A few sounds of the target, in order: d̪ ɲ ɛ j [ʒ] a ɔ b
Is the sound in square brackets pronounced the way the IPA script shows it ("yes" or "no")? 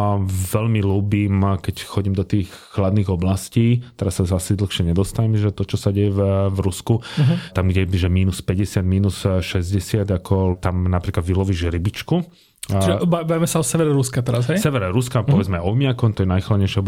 no